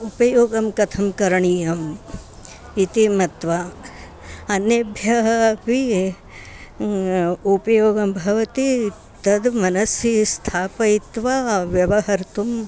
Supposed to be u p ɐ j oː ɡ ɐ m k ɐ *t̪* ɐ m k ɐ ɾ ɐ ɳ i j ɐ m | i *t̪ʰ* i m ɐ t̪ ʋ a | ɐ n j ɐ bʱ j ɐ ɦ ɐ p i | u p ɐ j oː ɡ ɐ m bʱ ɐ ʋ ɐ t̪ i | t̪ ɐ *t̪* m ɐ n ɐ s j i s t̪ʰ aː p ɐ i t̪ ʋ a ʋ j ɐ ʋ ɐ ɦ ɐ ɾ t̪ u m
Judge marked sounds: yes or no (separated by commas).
no, no, no